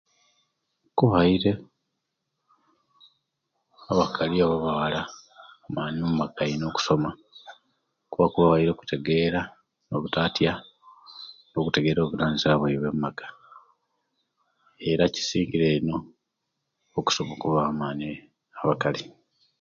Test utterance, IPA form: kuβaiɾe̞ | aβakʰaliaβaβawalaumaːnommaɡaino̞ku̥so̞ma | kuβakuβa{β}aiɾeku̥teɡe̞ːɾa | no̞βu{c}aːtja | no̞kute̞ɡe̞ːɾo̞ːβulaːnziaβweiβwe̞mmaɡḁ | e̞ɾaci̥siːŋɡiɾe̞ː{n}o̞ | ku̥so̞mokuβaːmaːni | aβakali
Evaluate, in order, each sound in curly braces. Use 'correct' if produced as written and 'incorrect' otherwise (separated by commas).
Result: correct, incorrect, correct